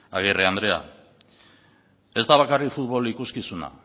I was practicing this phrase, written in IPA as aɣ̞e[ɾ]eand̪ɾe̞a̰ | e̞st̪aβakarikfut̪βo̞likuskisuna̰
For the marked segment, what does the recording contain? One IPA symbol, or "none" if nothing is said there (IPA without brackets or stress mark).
r